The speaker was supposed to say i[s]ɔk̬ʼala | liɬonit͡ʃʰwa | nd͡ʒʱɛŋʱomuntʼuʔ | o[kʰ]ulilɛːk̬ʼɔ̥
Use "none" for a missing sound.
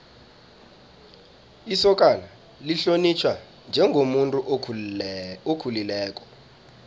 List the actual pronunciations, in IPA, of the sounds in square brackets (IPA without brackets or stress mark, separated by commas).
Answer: s, kʰ